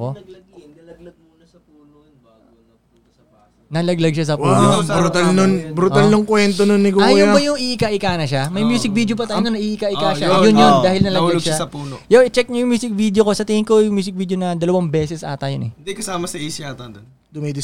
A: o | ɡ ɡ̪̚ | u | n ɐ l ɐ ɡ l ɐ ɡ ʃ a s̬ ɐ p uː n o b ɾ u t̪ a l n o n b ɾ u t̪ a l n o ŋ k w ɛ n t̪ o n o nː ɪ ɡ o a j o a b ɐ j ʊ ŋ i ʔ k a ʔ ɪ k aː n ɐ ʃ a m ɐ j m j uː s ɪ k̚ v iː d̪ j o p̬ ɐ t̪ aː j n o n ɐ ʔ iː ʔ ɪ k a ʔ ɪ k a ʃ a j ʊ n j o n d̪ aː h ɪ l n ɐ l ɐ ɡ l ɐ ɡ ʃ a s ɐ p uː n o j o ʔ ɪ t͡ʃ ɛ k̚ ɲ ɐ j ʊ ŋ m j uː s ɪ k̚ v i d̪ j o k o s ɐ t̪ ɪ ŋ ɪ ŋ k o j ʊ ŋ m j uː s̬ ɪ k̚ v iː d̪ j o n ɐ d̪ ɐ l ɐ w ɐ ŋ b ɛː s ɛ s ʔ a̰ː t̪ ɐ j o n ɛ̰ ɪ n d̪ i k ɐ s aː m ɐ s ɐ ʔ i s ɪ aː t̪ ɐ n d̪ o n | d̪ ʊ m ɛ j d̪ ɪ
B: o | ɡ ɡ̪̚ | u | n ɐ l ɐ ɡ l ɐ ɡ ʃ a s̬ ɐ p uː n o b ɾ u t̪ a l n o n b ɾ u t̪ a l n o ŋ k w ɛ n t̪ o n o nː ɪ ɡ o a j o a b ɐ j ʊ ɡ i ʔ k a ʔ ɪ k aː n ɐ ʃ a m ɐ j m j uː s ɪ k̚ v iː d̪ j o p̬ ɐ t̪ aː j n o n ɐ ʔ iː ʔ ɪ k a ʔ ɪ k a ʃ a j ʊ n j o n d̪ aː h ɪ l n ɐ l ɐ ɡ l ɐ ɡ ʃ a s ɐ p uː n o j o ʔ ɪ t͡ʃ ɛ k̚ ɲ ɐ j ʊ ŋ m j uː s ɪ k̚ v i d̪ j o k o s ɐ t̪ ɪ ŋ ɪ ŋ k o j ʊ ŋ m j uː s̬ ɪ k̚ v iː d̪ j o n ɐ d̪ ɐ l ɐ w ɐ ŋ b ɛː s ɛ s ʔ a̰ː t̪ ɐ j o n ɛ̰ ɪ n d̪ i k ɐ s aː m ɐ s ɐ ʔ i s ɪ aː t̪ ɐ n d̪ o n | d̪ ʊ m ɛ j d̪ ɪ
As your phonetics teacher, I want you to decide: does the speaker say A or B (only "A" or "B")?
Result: A